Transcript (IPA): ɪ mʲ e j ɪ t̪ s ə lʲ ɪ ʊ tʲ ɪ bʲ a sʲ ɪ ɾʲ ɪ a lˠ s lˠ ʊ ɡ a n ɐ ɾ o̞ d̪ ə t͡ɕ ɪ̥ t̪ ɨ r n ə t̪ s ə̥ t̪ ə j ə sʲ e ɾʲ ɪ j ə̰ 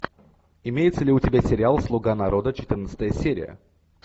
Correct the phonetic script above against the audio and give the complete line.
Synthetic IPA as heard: ɪ mʲ e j ɪ t̪ s ə lʲ ɪ ʊ tʲ ɪ bʲ a sʲ ɪ ɾʲ ɪ a lˠ s lˠ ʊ ɡ a n ɐ ɾ o̞ d̪ ə t͡ɕ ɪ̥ t̪ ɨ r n ə t̪ s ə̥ t̪ ə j ə sʲ e ɾʲ ɪ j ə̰